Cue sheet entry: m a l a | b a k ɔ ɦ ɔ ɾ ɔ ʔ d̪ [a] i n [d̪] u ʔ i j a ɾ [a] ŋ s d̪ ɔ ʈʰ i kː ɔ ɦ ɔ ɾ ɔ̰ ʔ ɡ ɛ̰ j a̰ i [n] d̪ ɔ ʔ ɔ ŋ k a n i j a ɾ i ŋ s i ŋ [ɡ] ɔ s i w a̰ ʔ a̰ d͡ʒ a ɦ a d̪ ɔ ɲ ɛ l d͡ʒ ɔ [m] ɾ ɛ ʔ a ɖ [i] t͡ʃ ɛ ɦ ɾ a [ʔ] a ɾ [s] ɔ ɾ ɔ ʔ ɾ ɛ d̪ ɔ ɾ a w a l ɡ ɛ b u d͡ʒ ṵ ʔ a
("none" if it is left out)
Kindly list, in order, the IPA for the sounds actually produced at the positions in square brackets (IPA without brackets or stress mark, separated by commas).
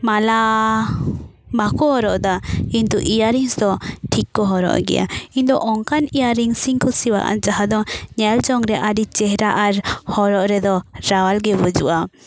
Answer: a, t̪, i, n, k, ŋ, i, ʔ, h